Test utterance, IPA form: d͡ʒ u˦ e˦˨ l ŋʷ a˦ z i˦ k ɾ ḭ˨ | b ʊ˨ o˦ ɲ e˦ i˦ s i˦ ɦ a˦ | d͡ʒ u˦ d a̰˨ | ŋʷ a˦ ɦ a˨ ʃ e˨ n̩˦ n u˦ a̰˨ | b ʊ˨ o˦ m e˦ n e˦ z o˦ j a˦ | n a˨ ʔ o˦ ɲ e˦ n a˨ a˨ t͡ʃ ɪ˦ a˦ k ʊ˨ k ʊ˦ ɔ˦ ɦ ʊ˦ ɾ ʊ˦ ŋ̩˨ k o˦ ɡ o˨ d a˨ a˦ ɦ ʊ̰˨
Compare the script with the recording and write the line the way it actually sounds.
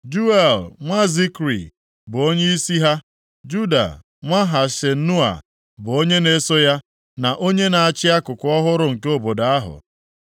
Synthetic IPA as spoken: d͡ʒ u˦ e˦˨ l ŋʷ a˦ z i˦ k ɾ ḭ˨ | b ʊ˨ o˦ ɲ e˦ i˦ s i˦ ɦ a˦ | d͡ʒ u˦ d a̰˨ | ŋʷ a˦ ɦ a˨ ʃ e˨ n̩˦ n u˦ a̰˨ | b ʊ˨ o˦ ɲ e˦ n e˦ s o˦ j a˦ | n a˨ ʔ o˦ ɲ e˦ n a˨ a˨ t͡ʃ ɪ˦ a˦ k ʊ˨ k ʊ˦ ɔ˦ ɦ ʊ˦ ɾ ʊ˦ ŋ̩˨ k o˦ b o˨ d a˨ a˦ ɦ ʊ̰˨

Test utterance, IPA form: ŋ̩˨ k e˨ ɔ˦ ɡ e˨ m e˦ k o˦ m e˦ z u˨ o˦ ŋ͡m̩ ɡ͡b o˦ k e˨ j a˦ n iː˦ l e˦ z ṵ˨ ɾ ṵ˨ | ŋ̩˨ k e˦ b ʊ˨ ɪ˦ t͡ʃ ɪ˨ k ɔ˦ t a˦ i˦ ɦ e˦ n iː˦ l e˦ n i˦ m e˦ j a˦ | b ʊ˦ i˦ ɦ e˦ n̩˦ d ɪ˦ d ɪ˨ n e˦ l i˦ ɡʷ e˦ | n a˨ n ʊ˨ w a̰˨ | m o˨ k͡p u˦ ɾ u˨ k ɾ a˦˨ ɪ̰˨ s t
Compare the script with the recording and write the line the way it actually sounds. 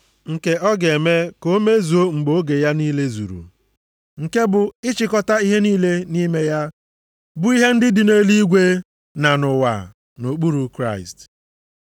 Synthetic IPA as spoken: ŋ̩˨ k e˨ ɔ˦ ɡ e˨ m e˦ k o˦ m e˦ z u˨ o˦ ŋ͡m̩ ɡ͡b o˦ ɡ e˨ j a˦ n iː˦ l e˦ z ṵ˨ ɾ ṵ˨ | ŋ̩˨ k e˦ b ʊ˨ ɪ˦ t͡ʃ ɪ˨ k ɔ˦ t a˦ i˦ ɦ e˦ n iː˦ l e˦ n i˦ m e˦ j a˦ | b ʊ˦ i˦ ɦ e˦ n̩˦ d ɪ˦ d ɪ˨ n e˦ l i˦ ɡʷ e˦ | n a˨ n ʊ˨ w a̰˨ | n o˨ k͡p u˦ ɾ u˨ k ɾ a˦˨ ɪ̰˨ s t

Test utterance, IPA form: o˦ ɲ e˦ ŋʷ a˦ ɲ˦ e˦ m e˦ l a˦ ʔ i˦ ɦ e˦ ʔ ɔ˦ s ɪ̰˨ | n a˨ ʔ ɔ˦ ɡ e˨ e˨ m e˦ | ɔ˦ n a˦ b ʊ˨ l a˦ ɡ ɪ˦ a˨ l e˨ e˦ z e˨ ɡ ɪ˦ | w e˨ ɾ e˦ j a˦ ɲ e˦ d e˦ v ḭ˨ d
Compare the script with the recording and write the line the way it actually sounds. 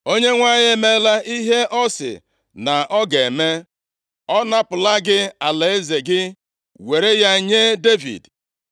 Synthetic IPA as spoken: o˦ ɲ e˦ ŋʷ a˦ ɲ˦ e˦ m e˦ l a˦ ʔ i˦ ɦ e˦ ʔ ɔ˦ s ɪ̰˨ | n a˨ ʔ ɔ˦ ɡ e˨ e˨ m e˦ | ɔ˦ n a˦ p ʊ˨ l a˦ ɡ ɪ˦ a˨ l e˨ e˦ z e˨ ɡ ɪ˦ | w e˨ ɾ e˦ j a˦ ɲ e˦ d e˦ v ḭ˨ d

